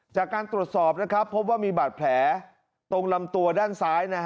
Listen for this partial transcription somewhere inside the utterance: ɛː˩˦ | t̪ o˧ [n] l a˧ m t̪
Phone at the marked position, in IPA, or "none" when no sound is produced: ŋ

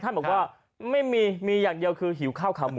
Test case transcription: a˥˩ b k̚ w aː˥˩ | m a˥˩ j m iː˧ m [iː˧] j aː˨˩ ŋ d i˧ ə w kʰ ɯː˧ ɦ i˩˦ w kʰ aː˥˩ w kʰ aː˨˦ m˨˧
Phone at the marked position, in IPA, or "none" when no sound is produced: iː˧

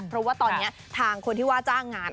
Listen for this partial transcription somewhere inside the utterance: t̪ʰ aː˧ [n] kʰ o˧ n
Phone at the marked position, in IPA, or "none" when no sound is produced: ŋ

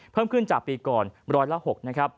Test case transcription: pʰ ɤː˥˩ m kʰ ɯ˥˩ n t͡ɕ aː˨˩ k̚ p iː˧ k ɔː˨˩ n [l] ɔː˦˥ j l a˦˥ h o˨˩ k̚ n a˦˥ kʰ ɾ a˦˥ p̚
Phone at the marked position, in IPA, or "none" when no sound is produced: ɾ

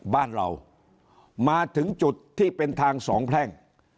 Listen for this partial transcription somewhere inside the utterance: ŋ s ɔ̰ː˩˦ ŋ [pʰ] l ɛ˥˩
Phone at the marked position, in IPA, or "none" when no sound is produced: pʰ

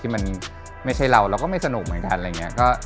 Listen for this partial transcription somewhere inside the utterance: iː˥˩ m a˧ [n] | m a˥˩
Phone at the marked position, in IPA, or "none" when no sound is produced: n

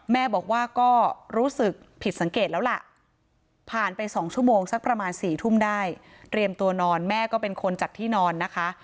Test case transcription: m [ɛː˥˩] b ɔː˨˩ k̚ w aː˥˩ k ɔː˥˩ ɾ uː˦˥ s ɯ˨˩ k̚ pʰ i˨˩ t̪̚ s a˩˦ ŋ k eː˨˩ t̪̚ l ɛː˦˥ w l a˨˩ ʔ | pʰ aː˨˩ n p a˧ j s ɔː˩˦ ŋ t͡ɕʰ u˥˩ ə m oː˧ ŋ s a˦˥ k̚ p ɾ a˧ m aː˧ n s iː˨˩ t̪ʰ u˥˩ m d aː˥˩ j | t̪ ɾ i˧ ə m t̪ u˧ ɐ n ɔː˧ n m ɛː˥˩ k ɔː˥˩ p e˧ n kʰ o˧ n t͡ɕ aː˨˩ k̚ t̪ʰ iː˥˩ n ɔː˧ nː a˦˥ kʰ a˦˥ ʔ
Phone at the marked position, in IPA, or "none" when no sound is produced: ɛː˥˩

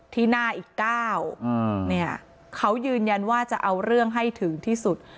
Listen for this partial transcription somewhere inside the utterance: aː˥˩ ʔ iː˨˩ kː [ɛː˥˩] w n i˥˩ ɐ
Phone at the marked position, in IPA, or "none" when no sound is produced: aː˥˩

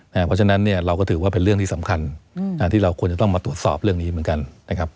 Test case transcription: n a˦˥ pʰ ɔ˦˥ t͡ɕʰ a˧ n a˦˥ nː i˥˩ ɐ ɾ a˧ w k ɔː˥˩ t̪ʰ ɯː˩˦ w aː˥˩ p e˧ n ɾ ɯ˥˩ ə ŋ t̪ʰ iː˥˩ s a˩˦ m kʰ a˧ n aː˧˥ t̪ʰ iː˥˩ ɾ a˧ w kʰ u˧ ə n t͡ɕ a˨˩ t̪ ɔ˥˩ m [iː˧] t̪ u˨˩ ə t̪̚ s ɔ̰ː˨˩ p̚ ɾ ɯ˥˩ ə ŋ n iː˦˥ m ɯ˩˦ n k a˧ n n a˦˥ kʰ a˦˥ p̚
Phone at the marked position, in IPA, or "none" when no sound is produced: aː˧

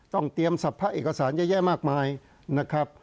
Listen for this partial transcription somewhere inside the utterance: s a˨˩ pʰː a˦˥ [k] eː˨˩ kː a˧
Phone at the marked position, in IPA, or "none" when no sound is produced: ʔ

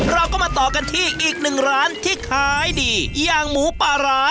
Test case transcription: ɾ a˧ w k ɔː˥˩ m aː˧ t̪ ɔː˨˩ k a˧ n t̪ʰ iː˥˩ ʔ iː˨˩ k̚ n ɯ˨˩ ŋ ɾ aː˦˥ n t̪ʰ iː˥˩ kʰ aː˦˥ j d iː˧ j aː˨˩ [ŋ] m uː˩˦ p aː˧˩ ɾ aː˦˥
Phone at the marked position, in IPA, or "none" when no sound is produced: ŋ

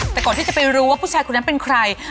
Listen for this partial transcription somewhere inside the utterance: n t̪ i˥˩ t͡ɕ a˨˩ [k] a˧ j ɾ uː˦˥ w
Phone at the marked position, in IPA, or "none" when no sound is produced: p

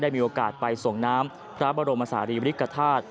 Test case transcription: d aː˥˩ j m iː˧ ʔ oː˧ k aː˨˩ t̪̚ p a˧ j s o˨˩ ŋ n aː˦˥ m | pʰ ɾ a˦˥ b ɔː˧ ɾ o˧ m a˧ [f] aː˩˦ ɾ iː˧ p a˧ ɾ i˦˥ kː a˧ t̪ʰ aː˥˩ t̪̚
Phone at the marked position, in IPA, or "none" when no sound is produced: s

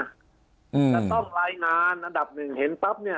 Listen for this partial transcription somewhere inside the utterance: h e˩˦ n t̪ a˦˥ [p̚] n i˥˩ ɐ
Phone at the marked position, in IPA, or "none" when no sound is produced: p̚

